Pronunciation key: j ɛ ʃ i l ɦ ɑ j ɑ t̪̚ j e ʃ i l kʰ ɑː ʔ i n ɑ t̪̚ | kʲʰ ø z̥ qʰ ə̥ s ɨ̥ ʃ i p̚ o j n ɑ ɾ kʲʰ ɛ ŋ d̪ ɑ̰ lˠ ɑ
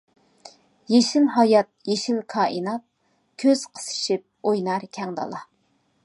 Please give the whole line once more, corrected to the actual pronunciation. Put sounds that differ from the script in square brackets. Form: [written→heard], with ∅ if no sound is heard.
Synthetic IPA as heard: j [ɛ→e] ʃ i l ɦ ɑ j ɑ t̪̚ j e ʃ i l kʰ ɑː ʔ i n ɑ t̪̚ | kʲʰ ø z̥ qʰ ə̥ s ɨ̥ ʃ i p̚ o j n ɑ ɾ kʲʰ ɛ ŋ d̪ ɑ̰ lˠ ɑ